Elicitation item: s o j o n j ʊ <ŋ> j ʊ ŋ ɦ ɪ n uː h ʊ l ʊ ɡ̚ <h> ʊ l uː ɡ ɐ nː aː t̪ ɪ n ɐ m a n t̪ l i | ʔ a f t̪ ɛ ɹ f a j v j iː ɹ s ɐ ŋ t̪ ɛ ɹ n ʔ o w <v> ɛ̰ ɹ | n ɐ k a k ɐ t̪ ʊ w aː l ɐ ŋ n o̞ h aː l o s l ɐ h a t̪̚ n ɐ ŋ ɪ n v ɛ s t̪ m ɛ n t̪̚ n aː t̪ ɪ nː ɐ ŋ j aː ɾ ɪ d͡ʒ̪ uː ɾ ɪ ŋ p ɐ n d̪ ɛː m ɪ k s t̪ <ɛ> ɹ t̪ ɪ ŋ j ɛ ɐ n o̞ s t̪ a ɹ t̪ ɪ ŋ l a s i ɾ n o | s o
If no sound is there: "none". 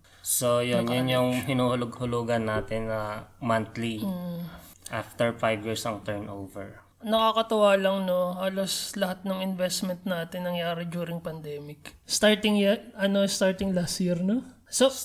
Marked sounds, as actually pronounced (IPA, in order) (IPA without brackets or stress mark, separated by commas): n, h, v, a